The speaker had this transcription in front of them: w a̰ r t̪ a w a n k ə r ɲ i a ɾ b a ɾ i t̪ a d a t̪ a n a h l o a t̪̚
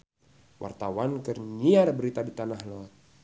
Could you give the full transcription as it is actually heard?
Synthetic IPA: w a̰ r t̪ a w a n k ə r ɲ i a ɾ b ə ɾ i t̪ a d i t̪ a n a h l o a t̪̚